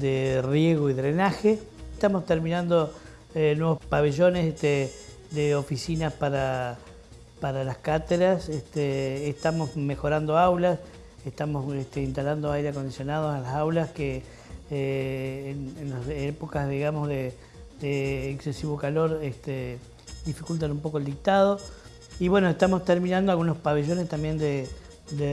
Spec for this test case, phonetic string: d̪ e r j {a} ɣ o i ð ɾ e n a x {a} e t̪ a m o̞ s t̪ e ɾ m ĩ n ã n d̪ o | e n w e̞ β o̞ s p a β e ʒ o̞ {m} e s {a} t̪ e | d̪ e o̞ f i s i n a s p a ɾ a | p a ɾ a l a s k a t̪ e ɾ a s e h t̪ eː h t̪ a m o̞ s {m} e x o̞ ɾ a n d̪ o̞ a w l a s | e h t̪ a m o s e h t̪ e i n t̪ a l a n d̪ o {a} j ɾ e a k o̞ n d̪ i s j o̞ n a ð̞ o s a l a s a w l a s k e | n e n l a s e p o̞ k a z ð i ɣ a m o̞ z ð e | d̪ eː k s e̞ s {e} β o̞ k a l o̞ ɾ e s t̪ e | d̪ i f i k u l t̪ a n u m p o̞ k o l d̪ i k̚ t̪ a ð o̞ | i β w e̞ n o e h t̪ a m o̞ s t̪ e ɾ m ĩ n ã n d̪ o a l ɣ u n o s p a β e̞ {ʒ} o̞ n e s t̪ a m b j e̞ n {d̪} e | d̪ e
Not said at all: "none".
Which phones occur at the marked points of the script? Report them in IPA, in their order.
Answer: e, e, n, e, m, a, i, ʒ, d̪

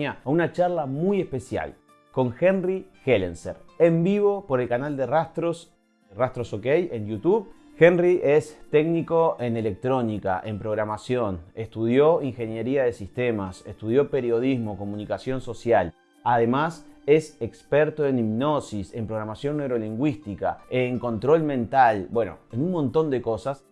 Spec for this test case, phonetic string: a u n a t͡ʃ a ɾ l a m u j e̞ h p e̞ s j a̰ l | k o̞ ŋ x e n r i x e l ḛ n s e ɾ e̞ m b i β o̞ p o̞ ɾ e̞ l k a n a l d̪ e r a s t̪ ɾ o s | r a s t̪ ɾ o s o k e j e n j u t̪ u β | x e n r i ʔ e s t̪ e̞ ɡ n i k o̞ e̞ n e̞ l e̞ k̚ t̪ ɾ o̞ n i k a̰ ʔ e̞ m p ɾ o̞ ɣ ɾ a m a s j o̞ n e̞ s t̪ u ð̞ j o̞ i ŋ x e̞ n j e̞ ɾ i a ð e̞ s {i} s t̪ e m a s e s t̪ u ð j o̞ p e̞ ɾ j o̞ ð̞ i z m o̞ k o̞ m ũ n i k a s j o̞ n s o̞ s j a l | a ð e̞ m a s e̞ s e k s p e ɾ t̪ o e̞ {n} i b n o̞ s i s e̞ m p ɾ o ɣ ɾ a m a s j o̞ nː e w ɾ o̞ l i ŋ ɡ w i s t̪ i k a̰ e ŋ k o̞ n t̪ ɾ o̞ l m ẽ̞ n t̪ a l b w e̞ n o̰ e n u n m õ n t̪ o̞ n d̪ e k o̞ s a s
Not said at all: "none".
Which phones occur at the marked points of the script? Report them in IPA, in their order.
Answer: i, n

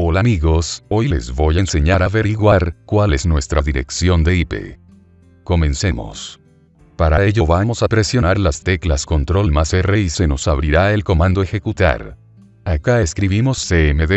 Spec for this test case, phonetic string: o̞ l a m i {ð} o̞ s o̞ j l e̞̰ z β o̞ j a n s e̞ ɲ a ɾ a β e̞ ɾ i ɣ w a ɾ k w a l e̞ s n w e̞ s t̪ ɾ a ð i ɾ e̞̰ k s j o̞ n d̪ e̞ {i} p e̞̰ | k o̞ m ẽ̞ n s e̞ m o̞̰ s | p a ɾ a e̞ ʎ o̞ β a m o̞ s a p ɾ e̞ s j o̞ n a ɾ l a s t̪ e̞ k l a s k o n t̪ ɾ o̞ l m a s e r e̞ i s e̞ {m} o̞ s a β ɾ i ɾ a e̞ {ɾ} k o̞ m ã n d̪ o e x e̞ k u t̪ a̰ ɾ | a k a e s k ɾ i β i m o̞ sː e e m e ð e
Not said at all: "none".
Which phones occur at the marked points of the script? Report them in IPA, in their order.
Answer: ɣ, i, n, l

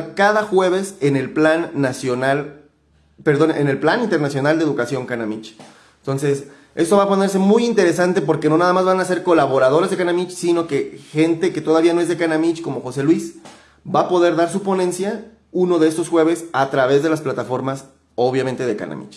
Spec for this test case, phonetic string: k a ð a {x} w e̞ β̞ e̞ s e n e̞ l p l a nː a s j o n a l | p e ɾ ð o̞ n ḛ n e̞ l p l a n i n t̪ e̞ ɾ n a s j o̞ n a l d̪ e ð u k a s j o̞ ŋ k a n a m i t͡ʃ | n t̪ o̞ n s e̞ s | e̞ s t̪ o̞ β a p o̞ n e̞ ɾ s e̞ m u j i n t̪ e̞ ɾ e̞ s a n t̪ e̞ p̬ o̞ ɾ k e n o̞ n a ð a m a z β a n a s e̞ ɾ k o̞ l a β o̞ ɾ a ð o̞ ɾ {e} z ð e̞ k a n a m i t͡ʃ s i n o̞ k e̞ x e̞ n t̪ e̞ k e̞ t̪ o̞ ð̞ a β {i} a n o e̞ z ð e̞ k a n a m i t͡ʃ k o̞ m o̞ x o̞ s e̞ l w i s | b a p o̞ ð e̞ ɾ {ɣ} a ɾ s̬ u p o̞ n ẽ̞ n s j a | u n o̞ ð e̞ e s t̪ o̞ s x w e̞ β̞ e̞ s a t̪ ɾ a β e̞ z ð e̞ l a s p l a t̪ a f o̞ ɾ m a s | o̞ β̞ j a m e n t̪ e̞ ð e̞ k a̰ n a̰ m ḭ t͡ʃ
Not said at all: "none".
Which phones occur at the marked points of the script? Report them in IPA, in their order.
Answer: x, e, i, ð

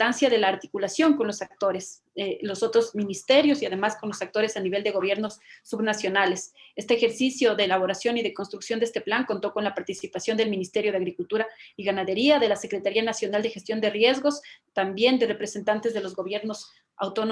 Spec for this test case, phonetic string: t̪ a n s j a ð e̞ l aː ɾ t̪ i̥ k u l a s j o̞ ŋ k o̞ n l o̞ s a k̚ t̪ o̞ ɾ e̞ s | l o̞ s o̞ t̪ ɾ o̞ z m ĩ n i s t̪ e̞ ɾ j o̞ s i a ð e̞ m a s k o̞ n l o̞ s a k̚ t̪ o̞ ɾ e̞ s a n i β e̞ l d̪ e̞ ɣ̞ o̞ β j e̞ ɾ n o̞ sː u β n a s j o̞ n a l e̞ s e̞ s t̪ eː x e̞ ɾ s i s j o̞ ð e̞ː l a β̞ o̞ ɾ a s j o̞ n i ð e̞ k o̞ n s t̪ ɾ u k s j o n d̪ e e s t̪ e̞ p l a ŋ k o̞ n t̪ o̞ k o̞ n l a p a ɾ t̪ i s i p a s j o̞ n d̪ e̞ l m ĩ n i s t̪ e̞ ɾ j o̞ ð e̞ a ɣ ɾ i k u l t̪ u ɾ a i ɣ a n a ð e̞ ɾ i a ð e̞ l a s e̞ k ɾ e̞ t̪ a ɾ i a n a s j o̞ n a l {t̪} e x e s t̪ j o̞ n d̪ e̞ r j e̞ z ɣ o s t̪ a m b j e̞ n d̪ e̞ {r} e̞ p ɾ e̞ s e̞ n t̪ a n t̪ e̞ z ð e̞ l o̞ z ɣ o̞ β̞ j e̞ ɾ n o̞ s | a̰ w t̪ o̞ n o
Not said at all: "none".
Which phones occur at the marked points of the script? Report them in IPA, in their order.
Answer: d̪, r

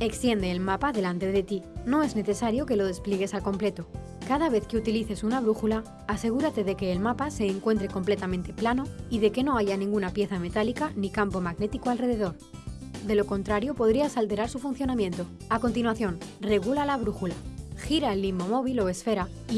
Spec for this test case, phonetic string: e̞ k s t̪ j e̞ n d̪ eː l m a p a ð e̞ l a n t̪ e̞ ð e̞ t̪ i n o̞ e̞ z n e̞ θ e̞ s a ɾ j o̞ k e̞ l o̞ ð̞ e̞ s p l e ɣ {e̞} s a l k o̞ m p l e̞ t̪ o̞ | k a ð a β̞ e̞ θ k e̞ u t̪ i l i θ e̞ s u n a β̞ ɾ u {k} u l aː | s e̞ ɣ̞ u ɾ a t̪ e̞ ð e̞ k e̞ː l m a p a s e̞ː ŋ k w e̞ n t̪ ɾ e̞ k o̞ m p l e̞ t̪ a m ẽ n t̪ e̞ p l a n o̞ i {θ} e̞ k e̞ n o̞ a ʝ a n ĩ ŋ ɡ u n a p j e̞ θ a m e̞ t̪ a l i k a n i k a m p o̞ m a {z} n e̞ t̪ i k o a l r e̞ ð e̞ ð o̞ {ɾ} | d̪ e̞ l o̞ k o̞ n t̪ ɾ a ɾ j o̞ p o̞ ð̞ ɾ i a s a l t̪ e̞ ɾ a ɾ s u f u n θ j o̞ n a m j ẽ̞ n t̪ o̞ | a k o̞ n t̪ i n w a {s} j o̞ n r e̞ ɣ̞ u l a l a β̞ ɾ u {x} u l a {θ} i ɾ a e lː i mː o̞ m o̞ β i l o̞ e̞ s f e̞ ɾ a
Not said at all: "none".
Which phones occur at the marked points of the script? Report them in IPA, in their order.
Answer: e̞, x, ð, ɣ, ɾ, θ, x, x

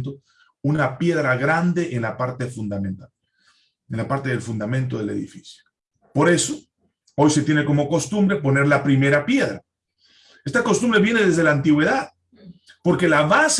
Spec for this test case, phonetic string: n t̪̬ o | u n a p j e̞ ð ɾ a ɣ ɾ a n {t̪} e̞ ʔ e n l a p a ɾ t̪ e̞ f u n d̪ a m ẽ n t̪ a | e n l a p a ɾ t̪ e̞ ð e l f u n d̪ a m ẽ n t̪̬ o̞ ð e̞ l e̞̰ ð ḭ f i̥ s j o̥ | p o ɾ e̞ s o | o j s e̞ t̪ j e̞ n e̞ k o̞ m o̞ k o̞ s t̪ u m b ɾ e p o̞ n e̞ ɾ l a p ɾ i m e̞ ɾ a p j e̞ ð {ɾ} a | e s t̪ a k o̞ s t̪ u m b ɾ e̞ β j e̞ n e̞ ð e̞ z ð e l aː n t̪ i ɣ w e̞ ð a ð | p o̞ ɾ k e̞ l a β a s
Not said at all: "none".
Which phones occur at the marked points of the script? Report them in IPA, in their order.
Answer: d̪, ɾ

